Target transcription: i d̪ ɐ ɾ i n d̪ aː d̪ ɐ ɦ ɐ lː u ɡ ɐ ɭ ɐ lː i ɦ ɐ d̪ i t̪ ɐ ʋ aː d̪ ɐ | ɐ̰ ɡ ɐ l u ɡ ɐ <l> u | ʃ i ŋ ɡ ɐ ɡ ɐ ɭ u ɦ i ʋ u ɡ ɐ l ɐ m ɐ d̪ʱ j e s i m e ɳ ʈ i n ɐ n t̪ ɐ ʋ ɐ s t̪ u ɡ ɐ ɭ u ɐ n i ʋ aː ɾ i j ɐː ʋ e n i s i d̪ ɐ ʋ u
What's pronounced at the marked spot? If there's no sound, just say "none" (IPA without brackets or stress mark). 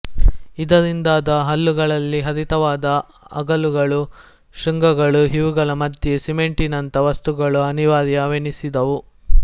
ɭ